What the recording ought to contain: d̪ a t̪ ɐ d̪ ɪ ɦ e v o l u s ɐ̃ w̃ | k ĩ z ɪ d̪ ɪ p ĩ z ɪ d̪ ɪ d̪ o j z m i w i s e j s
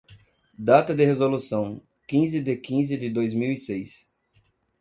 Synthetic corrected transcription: d̪ a t̪ ɐ d̪ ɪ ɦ e z o l u s ɐ̃ w̃ | k ĩ z ɪ d̪ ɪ k ĩ z ɪ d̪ ɪ d̪ o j z m i w i s e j s